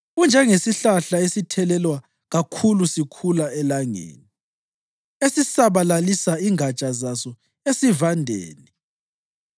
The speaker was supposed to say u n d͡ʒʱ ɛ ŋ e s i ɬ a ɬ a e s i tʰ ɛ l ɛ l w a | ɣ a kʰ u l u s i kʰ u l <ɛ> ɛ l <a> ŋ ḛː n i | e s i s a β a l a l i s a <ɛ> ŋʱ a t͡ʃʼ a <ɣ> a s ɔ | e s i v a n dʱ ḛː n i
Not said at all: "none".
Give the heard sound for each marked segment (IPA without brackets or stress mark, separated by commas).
a, a, i, z